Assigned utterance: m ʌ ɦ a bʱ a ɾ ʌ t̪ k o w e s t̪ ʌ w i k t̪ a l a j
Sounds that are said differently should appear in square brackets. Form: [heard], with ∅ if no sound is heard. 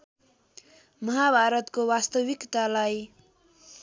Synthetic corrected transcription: m ʌ ɦ a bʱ a ɾ ʌ t̪ k o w [a] s t̪ ʌ w i k t̪ a l a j